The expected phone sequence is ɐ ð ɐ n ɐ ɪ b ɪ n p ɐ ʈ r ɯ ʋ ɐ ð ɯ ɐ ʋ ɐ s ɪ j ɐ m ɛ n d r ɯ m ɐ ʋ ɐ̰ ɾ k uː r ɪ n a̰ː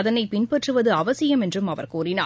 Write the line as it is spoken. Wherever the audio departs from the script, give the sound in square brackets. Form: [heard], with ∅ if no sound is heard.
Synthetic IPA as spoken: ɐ ð ɐ n ɐ ɪ [p] ɪ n p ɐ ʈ r ɯ ʋ ɐ ð ɯ ɐ ʋ ɐ s ɪ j ɐ m ɛ n d r ɯ m ɐ ʋ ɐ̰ ɾ k uː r ɪ n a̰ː

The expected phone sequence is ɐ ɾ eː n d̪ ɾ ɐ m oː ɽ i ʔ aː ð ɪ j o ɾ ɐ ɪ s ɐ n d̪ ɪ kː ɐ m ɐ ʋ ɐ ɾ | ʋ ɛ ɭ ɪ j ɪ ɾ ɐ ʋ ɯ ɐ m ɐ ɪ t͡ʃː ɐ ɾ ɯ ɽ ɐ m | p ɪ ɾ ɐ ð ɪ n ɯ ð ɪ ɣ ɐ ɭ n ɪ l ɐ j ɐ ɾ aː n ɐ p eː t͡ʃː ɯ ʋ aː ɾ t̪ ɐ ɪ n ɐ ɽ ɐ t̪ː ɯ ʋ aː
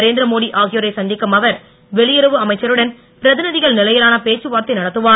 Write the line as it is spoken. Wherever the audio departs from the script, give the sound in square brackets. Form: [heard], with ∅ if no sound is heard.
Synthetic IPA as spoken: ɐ ɾ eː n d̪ ɾ ɐ m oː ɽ i ʔ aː [ɣ] ɪ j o ɾ ɐ ɪ s ɐ n d̪ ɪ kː ɐ m ɐ ʋ ɐ ɾ | ʋ ɛ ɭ ɪ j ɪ ɾ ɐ ʋ ɯ ɐ m ɐ ɪ t͡ʃː ɐ ɾ ɯ ɽ ɐ [n] | p ɪ ɾ ɐ ð ɪ n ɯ ð ɪ ɣ ɐ ɭ n ɪ l ɐ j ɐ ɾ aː n ɐ p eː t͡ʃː ɯ ʋ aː ɾ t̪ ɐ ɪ n ɐ ɽ ɐ t̪ː ɯ ʋ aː

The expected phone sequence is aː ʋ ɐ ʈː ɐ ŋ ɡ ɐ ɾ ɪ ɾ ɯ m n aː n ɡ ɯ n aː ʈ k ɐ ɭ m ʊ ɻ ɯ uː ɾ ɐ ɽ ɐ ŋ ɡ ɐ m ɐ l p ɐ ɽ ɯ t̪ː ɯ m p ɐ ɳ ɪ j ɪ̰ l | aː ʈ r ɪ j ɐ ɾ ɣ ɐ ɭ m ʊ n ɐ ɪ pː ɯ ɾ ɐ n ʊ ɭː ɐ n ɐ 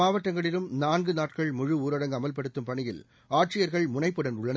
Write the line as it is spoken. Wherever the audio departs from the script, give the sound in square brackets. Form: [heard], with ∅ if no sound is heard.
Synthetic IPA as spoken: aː ʋ ɐ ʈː ɐ ŋ ɡ ɐ [ɭ] ɪ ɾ ɯ m n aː n ɡ ɯ n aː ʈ k ɐ ɭ m ʊ ɻ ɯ uː ɾ ɐ ɽ ɐ ŋ ɡ ɐ m ɐ l p ɐ ɽ ɯ t̪ː ɯ m p ɐ ɳ ɪ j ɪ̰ l | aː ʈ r ɪ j ɐ ɾ ɣ ɐ ɭ m ʊ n ɐ ɪ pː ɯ [ɽ] ɐ n ʊ ɭː ɐ n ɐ

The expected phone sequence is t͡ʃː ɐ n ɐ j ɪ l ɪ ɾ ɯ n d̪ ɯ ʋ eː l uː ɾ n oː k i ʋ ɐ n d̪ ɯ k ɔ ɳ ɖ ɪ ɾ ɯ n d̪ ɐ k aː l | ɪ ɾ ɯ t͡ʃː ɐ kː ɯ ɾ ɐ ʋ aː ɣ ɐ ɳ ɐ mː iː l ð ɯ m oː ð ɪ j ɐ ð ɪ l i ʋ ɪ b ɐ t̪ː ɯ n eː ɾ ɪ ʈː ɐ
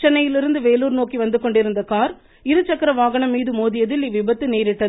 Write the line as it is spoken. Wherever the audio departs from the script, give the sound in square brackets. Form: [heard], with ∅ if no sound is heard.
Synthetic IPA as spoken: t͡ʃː ɐ n ɐ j ɪ l ɪ ɾ ɯ n d̪ ɯ ʋ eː l uː ɾ n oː k i ʋ ɐ n d̪ ɯ k ɔ ɳ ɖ ɪ ɾ ɯ n d̪ ɐ k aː [ɾ] | ɪ ɾ ɯ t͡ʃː ɐ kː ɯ ɾ ɐ ʋ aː ɣ ɐ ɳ ɐ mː iː [∅] ð ɯ m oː ð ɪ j ɐ ð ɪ l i ʋ ɪ b ɐ t̪ː ɯ n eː ɾ ɪ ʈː ɐ

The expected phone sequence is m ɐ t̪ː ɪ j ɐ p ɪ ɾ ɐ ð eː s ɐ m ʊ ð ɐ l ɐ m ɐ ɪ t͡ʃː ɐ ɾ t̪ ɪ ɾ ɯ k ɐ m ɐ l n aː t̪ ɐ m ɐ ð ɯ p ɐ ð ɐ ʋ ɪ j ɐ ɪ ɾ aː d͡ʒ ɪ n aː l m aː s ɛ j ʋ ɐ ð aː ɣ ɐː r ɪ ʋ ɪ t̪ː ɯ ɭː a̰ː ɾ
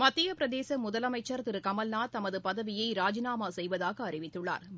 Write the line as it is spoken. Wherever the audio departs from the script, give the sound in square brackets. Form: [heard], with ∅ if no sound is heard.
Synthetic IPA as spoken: m ɐ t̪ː ɪ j ɐ p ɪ ɾ ɐ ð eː s ɐ m ʊ ð ɐ l ɐ m ɐ ɪ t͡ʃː ɐ ɾ t̪ ɪ ɾ ɯ k ɐ m ɐ l n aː t̪ ɐ m ɐ ð ɯ p ɐ ð ɐ ʋ ɪ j ɐ ɪ ɾ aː d͡ʒ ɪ n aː [∅] m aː s ɛ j ʋ ɐ ð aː ɣ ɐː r ɪ ʋ ɪ t̪ː ɯ ɭː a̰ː ɾ

